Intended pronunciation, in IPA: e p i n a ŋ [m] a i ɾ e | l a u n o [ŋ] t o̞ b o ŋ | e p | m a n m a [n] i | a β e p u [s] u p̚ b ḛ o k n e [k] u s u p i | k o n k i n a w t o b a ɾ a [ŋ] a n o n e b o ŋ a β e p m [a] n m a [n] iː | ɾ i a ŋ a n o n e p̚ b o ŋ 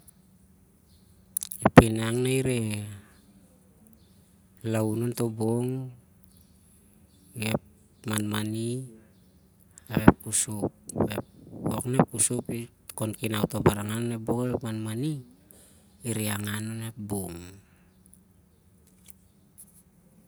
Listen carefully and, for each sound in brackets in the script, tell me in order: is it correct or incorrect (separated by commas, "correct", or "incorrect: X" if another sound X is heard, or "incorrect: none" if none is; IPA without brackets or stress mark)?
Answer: incorrect: n, incorrect: n, correct, correct, incorrect: p, correct, correct, correct